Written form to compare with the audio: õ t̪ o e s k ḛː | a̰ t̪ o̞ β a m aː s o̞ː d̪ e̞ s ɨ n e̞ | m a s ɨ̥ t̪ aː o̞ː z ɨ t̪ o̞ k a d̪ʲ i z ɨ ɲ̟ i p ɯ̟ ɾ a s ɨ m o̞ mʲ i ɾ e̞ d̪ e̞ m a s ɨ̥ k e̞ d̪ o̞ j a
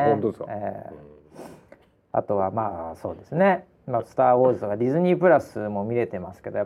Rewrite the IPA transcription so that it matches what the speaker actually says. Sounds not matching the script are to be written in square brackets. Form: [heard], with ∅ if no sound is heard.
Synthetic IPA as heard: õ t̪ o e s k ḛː | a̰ t̪ o̞ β a m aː s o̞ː d̪ e̞ s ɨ n e̞ | m a s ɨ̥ t̪ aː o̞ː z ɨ t̪ o̞ k a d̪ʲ i z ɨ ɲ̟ i p ɯ̟ ɾ a s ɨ m o̞ mʲ i ɾ e̞ [t̪] e̞ m a s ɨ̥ k e̞ d̪ o̞ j a